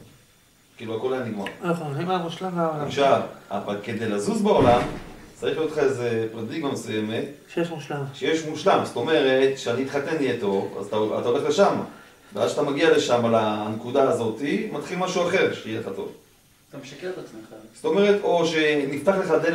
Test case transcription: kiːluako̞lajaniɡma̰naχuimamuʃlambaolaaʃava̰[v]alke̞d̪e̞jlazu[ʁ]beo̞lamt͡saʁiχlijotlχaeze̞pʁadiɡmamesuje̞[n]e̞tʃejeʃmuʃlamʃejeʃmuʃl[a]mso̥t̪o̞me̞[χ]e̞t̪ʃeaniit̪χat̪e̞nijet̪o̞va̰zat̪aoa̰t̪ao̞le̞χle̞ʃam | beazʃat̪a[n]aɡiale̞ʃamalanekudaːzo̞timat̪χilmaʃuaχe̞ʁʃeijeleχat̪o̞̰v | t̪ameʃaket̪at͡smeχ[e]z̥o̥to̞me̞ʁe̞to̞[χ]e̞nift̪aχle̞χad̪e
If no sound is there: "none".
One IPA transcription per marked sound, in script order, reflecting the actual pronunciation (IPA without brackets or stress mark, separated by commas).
v, z, m, a, ʁ, m, a, ʃ